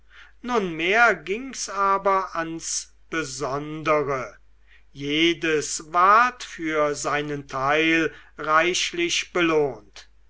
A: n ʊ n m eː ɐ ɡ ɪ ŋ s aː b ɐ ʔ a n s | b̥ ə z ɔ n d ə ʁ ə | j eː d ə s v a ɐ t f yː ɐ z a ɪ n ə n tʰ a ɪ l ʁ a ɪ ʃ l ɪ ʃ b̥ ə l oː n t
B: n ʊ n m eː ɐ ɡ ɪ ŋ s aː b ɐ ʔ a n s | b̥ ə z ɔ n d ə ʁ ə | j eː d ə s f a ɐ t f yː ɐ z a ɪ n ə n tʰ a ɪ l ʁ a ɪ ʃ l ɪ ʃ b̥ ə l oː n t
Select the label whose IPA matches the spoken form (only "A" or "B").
A